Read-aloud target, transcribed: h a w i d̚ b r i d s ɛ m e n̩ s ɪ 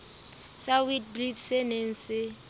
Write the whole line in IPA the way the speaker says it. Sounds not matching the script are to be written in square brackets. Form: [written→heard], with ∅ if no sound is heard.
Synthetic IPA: [h→s] a w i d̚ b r i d s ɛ [m→n] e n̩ s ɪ

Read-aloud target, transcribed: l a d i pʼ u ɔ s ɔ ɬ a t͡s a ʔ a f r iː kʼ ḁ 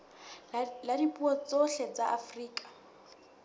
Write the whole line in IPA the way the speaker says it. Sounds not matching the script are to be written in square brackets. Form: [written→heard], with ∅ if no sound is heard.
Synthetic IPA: l a d i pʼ u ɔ [s→t͡s] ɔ ɬ [a→ɛ] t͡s a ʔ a f r iː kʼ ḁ

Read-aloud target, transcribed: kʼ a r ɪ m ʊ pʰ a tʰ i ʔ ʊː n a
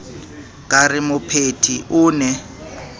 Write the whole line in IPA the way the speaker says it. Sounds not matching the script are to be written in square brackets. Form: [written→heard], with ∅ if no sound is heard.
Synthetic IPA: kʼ a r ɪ m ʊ pʰ [a→e] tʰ i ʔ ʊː n [a→ɛ]

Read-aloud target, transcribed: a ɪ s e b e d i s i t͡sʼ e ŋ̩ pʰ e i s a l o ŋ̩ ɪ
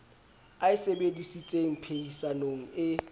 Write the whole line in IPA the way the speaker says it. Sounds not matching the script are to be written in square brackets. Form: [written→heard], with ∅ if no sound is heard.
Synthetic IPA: a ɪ s e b e d i s i t͡sʼ e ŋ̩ pʰ e i s a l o ŋ̩ ɪ

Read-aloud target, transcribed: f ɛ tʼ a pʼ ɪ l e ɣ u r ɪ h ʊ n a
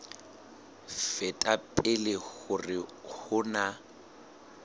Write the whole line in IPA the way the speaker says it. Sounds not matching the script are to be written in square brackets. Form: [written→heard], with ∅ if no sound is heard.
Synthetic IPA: f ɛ tʼ a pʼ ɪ l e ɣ [u→ʊ] r ɪ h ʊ n a

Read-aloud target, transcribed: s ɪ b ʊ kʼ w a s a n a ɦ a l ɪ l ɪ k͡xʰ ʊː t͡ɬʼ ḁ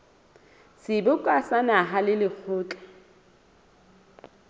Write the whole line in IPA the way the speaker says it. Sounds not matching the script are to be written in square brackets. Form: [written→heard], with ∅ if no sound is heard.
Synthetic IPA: s ɪ b ʊ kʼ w a s a n a ɦ a l ɪ l ɪ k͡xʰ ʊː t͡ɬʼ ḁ

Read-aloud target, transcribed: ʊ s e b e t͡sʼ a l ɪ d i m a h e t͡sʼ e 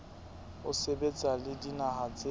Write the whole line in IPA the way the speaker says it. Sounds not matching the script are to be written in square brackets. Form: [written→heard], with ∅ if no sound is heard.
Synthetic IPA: ʊ s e b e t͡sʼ a l ɪ d i [m→n] a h [e→a] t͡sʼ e

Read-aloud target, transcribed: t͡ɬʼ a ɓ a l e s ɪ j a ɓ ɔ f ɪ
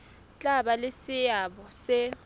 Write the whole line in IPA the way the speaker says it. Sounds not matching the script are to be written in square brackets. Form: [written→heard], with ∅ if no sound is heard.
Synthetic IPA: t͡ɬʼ a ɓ a l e s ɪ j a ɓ ɔ [f→s] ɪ

